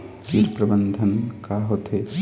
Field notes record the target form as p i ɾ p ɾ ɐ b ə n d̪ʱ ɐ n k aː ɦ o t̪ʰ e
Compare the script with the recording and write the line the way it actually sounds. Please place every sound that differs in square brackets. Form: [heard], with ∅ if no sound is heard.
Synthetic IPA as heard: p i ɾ p ɾ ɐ b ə n d̪ʱ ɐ n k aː ɦ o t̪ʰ e